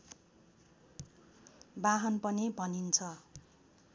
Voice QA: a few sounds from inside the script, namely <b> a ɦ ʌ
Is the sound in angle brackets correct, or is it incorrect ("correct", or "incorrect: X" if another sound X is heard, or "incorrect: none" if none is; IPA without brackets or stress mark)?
correct